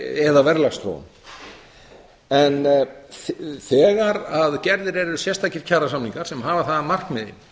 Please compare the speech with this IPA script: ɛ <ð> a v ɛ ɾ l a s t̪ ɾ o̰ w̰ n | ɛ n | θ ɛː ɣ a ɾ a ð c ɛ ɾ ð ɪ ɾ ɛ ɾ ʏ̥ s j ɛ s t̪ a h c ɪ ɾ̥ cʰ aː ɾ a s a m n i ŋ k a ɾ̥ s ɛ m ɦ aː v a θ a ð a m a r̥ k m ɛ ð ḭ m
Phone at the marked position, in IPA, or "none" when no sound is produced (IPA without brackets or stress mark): ð